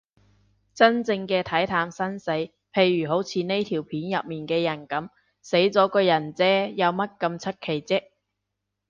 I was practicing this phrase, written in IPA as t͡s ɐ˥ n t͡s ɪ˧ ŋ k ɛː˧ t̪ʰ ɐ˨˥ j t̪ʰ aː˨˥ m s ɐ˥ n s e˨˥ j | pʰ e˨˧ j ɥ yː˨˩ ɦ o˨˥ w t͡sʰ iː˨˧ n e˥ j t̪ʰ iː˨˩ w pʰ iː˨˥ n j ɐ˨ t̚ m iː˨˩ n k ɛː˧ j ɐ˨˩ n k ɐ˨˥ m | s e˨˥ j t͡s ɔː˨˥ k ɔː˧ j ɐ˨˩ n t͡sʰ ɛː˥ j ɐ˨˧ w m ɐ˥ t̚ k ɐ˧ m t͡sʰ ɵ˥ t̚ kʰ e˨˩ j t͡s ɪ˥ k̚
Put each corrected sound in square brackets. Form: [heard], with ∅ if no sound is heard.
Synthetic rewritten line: t͡s ɐ˥ n t͡s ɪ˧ ŋ k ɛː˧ t̪ʰ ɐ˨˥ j t̪ʰ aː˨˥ m s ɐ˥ n s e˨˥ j | pʰ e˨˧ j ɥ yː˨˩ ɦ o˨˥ w t͡sʰ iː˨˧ n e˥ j t̪ʰ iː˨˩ w pʰ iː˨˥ n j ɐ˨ [p̚] m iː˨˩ n k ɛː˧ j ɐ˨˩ n k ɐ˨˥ m | s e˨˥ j t͡s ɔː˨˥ k ɔː˧ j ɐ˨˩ n [t͡s] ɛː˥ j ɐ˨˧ w m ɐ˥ t̚ k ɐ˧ m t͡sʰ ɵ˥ t̚ kʰ e˨˩ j t͡s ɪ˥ k̚

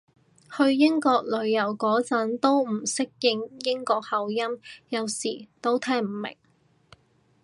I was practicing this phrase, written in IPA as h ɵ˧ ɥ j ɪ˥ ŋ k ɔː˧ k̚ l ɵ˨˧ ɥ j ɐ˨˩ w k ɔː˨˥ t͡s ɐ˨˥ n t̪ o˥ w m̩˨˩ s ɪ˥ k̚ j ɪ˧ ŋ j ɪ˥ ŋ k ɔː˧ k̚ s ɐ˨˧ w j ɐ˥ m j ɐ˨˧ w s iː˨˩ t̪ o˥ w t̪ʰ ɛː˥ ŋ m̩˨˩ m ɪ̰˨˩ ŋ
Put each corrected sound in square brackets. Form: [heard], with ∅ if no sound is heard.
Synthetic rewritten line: h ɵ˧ ɥ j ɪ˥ ŋ k ɔː˧ k̚ l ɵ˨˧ ɥ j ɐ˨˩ w k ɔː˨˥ t͡s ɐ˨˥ n t̪ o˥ w m̩˨˩ s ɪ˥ k̚ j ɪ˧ ŋ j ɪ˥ ŋ k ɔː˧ k̚ [h] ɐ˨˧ w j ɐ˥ m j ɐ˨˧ w s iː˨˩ t̪ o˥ w t̪ʰ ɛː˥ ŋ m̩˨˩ m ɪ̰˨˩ ŋ

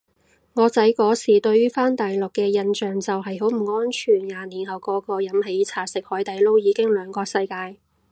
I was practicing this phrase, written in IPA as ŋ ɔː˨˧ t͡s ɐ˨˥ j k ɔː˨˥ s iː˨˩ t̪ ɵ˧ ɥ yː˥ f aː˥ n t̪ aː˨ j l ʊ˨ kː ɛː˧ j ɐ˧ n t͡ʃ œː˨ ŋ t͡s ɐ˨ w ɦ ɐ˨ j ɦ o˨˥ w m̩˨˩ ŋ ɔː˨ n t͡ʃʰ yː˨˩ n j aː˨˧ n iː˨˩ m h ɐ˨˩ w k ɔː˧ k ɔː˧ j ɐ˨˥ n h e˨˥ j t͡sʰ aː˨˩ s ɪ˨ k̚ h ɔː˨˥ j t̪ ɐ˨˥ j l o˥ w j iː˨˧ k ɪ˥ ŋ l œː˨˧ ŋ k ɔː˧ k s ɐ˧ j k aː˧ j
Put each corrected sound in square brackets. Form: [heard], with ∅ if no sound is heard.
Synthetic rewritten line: ŋ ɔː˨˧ t͡s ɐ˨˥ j k ɔː˨˥ s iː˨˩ t̪ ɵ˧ ɥ yː˥ f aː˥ n t̪ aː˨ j l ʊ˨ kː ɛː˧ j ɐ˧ n t͡ʃ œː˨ ŋ t͡s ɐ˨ w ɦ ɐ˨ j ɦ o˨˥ w m̩˨˩ ŋ [ɔː˥] n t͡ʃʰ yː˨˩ n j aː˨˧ n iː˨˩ [n] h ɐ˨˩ w k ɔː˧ k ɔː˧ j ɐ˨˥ [m] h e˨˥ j t͡sʰ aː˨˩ s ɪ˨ k̚ h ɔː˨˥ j t̪ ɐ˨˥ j l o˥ w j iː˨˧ k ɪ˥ ŋ l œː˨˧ ŋ k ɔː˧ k s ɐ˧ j k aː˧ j

